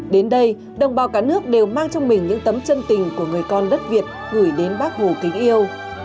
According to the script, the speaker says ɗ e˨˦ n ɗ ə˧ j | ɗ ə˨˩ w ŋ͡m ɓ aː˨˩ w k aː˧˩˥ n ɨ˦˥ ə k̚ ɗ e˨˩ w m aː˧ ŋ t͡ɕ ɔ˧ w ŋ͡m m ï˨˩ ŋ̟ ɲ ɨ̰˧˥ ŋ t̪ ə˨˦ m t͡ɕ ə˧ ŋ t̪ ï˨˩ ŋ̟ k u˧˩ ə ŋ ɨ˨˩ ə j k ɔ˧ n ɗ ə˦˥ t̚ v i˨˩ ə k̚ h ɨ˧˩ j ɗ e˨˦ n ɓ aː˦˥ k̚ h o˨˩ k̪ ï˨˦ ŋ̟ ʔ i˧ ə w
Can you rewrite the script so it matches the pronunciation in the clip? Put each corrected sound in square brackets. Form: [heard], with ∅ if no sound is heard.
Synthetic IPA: ɗ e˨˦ n ɗ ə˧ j | ɗ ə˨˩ w ŋ͡m ɓ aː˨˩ w k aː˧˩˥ n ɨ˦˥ ə k̚ ɗ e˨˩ w m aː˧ ŋ t͡ɕ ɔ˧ w ŋ͡m m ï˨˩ ŋ̟ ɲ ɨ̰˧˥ ŋ t̪ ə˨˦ m t͡ɕ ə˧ [n] t̪ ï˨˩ ŋ̟ k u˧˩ ə ŋ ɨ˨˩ ə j k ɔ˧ n ɗ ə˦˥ t̚ v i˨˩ ə [t̚] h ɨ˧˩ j ɗ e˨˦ n ɓ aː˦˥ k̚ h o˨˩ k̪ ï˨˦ ŋ̟ ʔ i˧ ə w